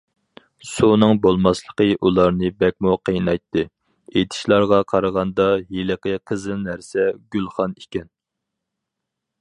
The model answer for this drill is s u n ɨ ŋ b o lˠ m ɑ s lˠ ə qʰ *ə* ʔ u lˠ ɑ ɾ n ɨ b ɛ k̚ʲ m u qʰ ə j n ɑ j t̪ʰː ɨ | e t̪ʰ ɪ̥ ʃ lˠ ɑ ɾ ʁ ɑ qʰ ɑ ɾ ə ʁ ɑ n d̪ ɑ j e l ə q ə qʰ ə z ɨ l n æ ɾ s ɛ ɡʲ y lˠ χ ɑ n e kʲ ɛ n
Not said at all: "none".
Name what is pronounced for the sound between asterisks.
ə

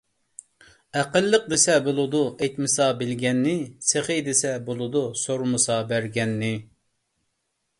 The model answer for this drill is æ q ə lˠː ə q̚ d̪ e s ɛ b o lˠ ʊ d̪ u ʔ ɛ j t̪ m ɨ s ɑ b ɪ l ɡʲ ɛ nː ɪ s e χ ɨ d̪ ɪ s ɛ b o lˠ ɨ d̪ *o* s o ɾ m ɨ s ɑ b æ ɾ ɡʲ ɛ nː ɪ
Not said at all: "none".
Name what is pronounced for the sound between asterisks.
u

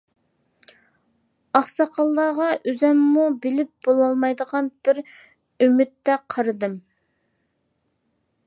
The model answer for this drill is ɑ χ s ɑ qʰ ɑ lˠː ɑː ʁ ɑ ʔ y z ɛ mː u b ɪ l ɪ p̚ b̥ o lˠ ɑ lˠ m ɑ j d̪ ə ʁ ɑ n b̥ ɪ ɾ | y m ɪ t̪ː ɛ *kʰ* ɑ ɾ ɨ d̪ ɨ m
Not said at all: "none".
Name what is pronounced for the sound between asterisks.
qʰ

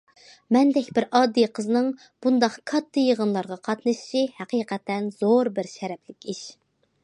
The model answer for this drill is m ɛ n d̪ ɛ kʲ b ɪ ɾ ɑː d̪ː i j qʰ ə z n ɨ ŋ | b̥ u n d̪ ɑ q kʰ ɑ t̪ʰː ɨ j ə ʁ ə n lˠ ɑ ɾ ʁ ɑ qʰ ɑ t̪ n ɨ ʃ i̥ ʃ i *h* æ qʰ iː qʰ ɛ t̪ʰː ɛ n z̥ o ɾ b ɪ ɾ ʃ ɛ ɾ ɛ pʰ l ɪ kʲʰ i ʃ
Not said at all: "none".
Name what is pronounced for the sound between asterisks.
h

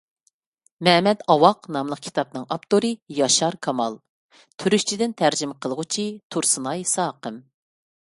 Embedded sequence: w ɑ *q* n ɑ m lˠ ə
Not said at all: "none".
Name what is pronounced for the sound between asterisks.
q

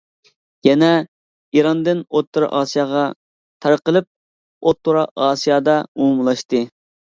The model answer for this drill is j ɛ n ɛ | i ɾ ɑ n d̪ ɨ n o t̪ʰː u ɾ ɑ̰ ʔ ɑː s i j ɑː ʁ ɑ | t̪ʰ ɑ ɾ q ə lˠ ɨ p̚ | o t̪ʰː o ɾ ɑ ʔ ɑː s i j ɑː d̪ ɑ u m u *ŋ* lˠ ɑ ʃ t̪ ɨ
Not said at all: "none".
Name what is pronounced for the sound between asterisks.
m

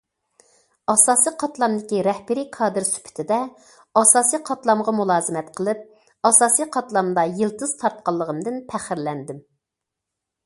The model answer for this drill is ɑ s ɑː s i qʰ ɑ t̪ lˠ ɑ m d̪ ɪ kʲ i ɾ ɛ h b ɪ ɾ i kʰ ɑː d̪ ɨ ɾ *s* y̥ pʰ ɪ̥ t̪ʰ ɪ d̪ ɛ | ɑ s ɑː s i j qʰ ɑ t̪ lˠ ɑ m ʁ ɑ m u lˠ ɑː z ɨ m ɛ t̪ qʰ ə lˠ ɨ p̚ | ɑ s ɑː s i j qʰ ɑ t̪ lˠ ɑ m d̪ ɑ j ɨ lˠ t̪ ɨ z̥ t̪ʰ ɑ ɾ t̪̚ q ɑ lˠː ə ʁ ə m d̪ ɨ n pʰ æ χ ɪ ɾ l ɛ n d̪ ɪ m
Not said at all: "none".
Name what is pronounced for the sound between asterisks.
s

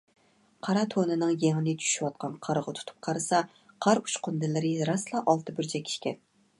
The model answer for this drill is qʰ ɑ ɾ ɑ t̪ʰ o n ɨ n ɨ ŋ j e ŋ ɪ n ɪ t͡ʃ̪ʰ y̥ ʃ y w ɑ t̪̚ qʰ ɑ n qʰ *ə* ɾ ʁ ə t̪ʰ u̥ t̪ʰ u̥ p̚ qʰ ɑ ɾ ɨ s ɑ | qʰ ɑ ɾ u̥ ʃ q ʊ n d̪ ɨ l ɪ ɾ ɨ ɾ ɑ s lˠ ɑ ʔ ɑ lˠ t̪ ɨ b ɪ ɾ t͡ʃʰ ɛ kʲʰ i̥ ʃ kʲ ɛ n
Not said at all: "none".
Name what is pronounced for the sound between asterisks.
ɑ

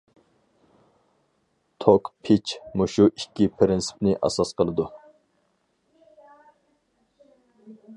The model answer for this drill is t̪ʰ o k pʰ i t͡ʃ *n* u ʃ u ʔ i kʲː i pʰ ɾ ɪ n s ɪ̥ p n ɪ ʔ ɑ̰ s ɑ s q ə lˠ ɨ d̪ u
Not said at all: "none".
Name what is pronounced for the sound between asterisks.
m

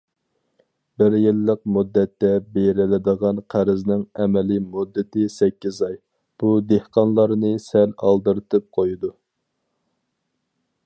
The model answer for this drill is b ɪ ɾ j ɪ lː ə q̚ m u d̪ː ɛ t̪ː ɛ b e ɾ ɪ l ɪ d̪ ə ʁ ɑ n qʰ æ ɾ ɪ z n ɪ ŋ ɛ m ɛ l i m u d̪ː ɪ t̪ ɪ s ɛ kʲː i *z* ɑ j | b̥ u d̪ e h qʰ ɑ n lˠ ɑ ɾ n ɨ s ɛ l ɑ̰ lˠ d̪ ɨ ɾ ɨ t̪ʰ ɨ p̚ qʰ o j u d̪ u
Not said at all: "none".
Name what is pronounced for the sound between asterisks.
z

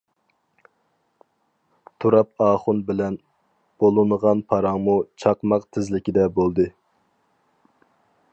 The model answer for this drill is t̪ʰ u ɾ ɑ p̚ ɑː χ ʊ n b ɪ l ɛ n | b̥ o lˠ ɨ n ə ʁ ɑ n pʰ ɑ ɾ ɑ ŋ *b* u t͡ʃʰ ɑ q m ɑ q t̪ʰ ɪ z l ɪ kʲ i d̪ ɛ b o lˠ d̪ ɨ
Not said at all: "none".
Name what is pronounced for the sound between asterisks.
m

